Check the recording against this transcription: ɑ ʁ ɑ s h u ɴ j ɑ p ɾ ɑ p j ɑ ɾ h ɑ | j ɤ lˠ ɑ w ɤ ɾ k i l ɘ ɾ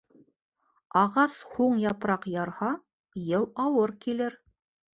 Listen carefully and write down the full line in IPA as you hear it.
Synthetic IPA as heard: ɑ ʁ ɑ s h u ɴ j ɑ p ɾ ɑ q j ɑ ɾ h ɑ | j ɤ lˠ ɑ w ɤ ɾ k i l ɘ ɾ